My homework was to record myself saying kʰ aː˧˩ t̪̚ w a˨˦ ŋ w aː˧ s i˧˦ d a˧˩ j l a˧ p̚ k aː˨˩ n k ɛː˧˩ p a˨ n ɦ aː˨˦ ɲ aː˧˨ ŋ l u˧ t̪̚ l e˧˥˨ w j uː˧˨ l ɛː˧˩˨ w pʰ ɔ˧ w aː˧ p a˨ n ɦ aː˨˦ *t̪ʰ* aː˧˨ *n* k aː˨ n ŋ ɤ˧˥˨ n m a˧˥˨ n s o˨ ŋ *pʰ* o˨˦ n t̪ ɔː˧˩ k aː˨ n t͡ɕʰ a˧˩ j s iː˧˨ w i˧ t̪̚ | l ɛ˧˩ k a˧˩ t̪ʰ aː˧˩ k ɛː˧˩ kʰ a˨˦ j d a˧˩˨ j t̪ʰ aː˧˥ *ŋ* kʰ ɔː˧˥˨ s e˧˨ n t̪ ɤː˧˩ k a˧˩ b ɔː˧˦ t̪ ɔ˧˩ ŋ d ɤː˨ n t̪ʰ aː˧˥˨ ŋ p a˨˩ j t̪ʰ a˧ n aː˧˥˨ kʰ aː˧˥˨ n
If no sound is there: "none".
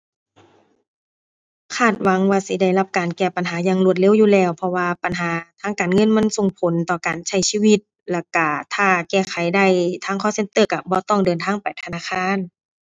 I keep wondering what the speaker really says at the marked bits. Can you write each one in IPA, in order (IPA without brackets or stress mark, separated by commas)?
t̪ʰ, ŋ, pʰ, ŋ